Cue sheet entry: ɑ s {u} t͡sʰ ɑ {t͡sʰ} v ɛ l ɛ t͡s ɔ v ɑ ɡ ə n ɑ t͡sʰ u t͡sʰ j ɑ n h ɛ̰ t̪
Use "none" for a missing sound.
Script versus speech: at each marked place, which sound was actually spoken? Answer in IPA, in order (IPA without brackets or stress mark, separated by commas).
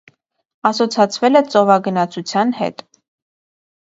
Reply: ɔ, t͡sʰ